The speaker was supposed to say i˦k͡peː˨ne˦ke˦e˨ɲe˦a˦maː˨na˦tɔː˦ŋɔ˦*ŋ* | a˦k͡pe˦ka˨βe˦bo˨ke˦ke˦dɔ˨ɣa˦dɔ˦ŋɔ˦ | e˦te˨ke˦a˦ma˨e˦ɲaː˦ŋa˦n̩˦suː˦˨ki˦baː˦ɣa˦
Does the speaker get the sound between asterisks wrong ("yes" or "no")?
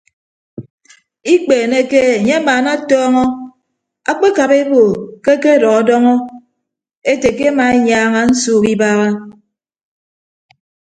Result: yes